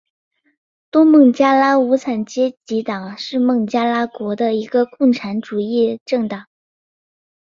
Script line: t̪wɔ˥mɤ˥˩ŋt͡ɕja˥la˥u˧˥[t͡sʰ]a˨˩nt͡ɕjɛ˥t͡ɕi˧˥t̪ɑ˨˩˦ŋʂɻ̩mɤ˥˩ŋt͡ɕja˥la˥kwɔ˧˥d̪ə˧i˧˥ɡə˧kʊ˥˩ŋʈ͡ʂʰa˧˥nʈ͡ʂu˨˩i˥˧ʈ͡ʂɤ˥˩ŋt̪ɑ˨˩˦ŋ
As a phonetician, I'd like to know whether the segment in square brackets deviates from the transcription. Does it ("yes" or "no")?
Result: no